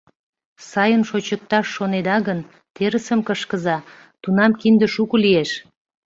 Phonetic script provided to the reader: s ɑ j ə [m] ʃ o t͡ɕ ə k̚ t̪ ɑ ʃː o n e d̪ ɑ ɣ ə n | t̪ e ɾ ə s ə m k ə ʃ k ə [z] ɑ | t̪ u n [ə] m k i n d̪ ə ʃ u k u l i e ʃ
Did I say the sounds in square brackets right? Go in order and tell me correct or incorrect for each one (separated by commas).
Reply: incorrect, correct, incorrect